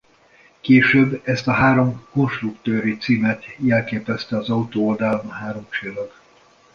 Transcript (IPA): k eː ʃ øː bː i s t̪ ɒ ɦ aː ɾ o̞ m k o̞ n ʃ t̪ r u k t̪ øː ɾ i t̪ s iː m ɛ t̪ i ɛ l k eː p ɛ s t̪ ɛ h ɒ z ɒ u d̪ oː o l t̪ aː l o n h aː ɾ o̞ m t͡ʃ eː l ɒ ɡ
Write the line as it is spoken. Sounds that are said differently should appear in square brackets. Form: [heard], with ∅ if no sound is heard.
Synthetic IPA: k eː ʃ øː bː [ɛ] s t̪ ɒ ɦ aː ɾ o̞ m k o̞ n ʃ t̪ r u k t̪ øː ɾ i t̪ s iː m ɛ t̪ [j] ɛ l k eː p ɛ s t̪ ɛ [∅] ɒ z ɒ u [t̪] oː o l [d̪] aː l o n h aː ɾ o̞ m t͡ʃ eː l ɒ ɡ